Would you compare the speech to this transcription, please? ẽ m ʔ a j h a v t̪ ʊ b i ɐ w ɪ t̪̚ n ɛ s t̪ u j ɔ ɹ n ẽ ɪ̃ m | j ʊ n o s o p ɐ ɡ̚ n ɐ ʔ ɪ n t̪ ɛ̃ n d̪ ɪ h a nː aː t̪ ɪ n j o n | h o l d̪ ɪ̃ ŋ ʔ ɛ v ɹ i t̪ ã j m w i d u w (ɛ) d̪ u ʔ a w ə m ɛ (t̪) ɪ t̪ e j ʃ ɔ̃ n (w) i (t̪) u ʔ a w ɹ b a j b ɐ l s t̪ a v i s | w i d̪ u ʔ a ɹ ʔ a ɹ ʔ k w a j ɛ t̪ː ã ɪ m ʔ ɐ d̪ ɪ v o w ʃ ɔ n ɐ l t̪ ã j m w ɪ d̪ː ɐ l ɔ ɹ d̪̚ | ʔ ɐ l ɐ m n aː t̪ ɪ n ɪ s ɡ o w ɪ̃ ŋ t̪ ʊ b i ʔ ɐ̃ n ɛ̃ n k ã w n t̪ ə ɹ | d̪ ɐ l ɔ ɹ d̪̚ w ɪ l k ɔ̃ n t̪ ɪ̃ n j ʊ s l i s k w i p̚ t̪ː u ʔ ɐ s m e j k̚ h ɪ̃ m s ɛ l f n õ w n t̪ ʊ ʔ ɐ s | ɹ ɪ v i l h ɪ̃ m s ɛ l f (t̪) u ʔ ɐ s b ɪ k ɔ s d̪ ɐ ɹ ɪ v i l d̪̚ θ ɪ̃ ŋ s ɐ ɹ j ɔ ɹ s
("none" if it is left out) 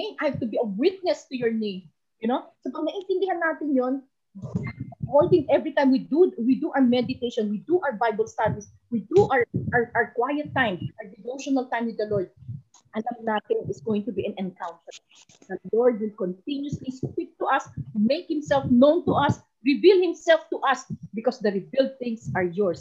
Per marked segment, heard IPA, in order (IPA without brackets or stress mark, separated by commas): i, d̪, w, d̪, t̪